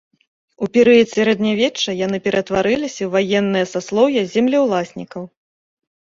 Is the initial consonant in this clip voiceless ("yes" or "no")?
yes